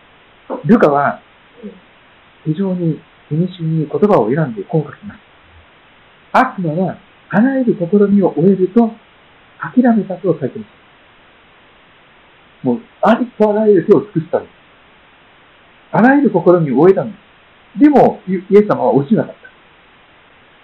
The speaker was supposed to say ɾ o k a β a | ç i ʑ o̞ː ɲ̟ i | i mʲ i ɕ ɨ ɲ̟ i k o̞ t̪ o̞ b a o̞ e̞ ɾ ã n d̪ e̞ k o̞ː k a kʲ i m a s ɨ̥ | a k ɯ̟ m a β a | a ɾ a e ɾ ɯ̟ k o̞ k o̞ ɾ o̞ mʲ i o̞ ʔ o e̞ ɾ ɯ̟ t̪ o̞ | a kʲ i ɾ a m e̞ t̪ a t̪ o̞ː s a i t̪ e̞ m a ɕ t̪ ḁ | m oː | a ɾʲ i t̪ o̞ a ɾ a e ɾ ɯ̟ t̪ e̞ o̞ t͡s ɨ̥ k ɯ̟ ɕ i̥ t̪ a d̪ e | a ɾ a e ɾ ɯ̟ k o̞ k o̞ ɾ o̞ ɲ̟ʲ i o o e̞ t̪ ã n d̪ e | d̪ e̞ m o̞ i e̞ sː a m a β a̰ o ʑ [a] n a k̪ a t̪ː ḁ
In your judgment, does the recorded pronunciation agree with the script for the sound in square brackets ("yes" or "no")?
no